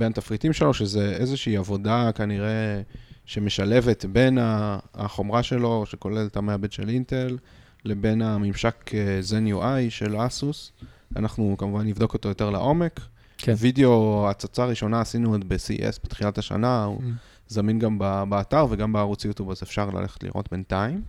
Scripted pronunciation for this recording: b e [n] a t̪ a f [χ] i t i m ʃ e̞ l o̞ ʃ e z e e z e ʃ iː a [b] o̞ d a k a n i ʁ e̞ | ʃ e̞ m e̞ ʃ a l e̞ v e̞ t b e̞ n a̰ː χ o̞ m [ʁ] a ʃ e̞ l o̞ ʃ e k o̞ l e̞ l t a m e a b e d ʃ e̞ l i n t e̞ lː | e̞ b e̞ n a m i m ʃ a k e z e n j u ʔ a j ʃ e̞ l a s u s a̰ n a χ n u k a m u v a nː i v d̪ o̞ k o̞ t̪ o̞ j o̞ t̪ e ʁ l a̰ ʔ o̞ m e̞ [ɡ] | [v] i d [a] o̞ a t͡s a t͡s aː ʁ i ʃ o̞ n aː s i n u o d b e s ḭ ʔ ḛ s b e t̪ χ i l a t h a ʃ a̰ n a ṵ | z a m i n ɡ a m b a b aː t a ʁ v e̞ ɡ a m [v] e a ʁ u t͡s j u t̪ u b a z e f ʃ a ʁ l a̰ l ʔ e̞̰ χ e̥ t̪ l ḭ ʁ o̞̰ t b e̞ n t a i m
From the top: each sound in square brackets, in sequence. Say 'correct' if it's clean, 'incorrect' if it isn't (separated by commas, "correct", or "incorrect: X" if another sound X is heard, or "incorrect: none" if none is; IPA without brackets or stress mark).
correct, incorrect: ʁ, incorrect: v, correct, incorrect: k, correct, incorrect: e, incorrect: b